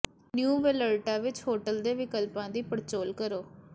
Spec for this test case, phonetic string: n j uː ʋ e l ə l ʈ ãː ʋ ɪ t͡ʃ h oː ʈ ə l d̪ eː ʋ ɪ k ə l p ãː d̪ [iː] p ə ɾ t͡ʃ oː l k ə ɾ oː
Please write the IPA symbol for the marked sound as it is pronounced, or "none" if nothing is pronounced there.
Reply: iː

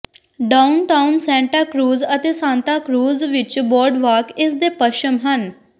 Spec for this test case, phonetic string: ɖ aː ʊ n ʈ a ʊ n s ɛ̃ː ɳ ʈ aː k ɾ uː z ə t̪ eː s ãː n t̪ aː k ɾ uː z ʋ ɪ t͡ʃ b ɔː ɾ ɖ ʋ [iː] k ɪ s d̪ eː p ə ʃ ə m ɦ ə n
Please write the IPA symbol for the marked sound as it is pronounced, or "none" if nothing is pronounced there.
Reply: aː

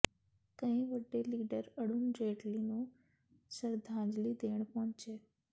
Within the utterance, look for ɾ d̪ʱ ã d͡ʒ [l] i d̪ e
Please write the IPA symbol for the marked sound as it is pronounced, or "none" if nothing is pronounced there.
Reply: l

